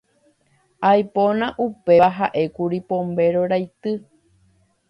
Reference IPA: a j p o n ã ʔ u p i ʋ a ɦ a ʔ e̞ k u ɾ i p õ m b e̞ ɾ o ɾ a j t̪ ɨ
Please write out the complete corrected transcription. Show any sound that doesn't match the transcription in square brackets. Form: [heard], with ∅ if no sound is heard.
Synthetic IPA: a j p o n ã ʔ u p [e] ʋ a ɦ a ʔ e̞ k u ɾ i p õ m b e̞ ɾ o ɾ a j t̪ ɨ

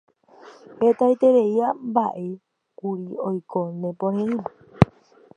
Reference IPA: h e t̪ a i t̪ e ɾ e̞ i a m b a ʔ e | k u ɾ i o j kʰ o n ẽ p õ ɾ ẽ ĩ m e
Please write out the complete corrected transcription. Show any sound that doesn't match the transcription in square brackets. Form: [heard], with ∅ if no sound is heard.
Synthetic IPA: h e t̪ a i t̪ e ɾ e̞ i a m b a ʔ e | k u ɾ i o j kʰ o n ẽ p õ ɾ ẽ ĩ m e

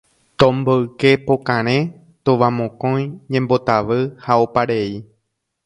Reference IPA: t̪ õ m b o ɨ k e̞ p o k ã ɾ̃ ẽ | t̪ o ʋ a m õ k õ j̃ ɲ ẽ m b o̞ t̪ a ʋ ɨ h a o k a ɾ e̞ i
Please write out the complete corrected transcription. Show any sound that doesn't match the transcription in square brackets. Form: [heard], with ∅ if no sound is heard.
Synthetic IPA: t̪ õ m b o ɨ k e̞ p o k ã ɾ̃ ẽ | t̪ o ʋ a m õ k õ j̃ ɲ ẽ m b o̞ t̪ a ʋ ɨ h a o [p] a ɾ e̞ i

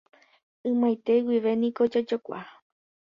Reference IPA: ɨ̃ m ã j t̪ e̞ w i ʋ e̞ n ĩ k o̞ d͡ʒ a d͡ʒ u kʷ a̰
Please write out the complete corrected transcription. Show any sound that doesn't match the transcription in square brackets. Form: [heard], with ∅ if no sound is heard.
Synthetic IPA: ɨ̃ m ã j t̪ e̞ w i ʋ e̞ n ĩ k o̞ d͡ʒ a d͡ʒ [o] kʷ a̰

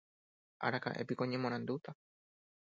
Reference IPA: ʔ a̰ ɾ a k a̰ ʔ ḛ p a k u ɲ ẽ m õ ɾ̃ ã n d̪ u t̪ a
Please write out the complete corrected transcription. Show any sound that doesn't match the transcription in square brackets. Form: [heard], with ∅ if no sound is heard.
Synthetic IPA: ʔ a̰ ɾ a k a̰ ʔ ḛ p [i] k [o] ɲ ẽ m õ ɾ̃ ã n d̪ u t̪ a

